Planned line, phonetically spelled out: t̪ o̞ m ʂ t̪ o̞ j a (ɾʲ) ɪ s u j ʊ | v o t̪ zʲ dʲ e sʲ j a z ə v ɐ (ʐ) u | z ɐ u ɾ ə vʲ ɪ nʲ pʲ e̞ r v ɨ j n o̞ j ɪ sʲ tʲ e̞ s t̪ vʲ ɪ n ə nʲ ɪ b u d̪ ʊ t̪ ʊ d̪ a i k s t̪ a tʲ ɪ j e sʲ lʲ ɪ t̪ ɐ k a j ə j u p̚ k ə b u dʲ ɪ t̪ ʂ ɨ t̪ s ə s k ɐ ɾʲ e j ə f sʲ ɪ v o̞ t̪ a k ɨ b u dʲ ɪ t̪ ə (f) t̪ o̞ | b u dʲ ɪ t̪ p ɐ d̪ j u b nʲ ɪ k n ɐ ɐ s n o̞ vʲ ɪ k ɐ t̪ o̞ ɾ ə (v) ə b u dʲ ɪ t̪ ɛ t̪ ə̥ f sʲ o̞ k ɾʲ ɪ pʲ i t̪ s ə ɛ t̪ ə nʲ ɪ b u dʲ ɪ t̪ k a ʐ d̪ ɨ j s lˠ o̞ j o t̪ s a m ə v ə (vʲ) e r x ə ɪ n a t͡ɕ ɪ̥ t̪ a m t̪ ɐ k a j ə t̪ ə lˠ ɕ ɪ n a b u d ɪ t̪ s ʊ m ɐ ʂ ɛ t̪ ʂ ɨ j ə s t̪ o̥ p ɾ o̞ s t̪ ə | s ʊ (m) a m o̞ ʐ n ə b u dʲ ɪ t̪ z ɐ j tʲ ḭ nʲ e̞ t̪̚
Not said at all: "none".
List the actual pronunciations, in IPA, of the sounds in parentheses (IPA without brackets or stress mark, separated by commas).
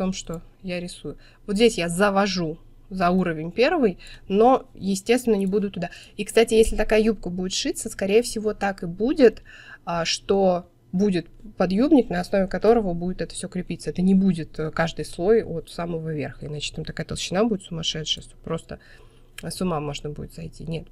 ɾʲ, ʐ, ʂ, v, vʲ, m